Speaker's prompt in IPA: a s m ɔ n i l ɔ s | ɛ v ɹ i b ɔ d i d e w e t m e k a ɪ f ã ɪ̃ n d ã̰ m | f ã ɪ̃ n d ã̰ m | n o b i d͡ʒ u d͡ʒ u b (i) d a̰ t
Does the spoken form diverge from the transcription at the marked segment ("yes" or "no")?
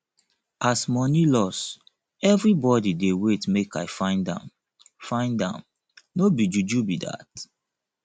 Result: no